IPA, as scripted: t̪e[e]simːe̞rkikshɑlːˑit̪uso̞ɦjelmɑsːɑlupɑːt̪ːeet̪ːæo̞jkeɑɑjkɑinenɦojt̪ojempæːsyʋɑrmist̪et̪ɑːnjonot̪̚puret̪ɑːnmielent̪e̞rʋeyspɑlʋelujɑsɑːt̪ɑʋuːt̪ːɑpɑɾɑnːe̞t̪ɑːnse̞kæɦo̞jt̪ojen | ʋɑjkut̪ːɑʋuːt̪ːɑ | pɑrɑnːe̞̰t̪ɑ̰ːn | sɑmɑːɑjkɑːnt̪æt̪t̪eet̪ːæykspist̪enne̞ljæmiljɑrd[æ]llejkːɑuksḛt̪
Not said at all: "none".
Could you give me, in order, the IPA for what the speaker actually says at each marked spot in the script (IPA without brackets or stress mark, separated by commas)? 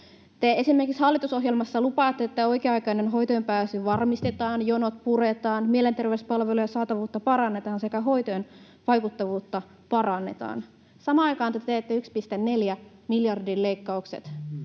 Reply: e, i